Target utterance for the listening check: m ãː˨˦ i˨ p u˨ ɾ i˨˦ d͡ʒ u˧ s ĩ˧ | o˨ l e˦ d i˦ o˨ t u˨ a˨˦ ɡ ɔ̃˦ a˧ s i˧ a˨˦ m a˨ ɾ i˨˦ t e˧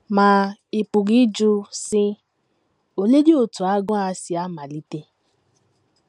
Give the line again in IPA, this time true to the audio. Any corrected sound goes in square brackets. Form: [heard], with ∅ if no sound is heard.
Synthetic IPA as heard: m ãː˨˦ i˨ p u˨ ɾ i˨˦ d͡ʒ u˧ s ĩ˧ | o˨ l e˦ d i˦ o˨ t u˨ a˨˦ ɡ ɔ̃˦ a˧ s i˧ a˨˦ m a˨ [l] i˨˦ t e˧